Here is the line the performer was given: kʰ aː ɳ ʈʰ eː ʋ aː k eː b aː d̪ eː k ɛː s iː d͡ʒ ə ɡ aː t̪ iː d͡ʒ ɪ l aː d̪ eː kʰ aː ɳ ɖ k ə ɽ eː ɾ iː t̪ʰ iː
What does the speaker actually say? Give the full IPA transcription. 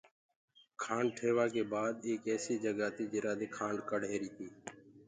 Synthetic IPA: kʰ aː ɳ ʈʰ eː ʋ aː k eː b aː d̪ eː k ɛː s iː d͡ʒ ə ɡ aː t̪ iː d͡ʒ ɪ ɾ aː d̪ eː kʰ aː ɳ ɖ k ə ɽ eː ɾ iː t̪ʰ iː